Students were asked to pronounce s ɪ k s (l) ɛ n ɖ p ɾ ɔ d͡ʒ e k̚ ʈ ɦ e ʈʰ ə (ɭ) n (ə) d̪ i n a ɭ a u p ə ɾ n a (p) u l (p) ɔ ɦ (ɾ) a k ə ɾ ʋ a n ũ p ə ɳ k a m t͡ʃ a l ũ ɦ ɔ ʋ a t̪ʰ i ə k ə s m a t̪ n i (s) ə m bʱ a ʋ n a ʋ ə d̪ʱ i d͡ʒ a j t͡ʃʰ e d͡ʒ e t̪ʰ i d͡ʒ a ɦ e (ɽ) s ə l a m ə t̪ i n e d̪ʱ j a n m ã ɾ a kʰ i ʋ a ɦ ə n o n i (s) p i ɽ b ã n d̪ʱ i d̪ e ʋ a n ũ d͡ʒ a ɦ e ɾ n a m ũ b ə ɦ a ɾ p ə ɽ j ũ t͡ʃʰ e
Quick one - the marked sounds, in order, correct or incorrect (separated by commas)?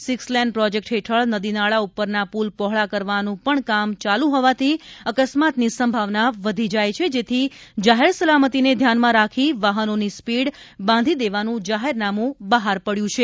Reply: correct, correct, correct, correct, correct, incorrect, correct, incorrect, correct